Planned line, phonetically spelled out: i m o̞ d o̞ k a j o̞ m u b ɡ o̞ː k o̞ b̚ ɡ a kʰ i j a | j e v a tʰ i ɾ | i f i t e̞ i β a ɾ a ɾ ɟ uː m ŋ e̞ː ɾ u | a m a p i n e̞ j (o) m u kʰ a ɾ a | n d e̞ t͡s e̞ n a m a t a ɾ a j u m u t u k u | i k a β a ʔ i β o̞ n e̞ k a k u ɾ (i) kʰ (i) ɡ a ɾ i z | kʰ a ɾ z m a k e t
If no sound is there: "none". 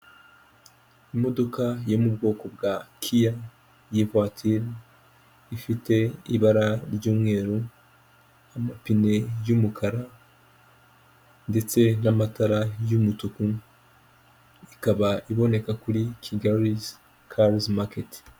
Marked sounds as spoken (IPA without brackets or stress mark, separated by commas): u, i, i